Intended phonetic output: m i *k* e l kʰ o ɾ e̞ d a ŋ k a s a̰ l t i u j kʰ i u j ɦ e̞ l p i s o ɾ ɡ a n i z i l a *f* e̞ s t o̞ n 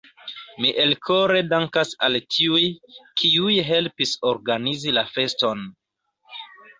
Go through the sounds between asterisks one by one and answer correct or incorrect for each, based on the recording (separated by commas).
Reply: incorrect, correct